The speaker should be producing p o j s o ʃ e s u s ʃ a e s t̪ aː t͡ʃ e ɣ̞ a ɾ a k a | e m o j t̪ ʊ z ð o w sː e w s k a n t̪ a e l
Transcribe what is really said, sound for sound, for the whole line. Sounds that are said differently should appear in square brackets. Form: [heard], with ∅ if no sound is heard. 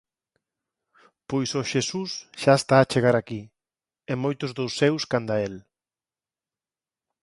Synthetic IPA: p o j s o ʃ e s u s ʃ a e s t̪ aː t͡ʃ e ɣ̞ a ɾ a k [i] | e m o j t̪ ʊ z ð o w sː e w s k a n [d̪] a e l